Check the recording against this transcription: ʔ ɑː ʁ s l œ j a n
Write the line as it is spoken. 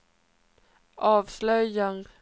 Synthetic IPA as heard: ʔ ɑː v s l œ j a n